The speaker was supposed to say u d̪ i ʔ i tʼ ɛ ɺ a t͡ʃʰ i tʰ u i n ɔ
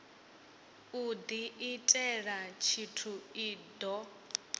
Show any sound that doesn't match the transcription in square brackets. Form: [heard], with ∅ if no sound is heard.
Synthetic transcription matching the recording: u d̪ i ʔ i tʼ ɛ ɺ a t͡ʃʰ i tʰ u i [d] ɔ

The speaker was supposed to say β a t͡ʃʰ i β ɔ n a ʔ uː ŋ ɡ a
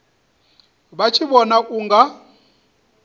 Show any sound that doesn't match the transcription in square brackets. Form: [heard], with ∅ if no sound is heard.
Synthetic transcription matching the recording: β a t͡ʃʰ i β ɔ n a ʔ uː ŋ ɡ a

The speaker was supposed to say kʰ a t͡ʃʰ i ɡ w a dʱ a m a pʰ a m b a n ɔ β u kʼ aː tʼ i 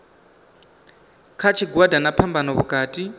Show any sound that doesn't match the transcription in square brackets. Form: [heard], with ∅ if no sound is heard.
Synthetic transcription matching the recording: kʰ a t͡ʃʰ i ɡ w a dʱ a [n] a pʰ a m b a n ɔ β u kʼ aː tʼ i

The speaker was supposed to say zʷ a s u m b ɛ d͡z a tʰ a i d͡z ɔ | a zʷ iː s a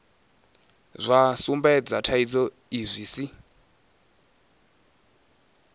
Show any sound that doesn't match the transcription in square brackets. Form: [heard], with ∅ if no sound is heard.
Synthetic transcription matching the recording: zʷ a s u m b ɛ d͡z a tʰ a i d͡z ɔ | [i] zʷ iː s [i]

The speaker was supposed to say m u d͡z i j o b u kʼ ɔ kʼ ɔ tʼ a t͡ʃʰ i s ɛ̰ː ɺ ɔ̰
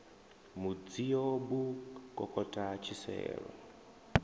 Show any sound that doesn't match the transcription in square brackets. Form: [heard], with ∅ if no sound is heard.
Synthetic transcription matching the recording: m u d͡z i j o b u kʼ ɔ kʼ ɔ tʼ a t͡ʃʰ i s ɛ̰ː ɺ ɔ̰

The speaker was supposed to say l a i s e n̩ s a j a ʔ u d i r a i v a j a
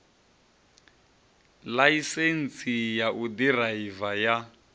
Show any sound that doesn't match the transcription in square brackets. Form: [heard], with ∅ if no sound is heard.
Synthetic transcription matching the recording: l a i s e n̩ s [i] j a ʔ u d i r a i v a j a

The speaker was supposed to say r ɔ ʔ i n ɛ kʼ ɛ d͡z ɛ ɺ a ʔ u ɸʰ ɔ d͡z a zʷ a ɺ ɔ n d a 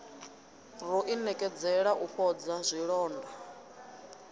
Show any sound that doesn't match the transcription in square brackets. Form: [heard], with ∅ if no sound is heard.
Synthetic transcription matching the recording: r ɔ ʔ i n ɛ kʼ ɛ d͡z ɛ ɺ a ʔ u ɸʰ ɔ d͡z a zʷ [i] ɺ [ɔː] n d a

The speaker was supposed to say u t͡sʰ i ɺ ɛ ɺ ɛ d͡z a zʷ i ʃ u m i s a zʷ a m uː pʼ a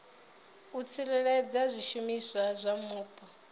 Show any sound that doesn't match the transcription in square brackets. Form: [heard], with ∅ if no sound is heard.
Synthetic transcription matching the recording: u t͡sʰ i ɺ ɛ ɺ ɛ d͡z a zʷ i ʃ u m i s a zʷ a m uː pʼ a

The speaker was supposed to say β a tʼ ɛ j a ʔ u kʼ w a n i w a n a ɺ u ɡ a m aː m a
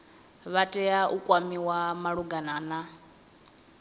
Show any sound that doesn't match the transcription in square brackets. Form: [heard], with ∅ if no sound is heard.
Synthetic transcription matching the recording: β a tʼ ɛ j a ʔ u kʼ w a [m] i w a [m] a ɺ u ɡ a [n] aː [n] a

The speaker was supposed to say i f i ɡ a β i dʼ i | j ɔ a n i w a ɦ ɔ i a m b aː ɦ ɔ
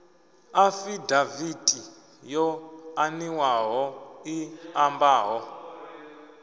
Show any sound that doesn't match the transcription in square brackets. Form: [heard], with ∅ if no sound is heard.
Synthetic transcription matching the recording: [a] f i [d] a [v] i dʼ i | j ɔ a n i w a ɦ ɔ i a m b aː ɦ ɔ

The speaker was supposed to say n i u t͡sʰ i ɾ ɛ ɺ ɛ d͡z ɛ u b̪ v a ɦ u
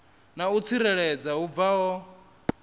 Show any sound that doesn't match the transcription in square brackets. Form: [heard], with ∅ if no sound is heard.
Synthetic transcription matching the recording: n [a] u t͡sʰ i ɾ ɛ ɺ ɛ d͡z [a] u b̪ v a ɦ [ɔ]

